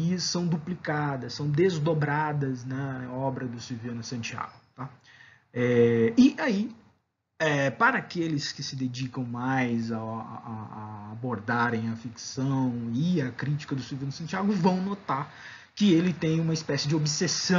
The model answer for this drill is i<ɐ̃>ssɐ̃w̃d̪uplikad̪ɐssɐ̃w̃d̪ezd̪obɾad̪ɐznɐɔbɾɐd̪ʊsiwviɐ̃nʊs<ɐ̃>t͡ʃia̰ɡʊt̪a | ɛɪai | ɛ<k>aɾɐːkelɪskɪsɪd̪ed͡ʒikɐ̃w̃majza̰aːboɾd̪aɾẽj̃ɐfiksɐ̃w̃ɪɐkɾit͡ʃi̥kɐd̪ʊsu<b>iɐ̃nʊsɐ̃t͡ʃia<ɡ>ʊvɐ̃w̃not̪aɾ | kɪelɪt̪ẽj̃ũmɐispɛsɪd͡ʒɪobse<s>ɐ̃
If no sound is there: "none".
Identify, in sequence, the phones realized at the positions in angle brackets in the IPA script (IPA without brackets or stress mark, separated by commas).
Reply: ɐ, ɐ̃, p, v, ɡ, s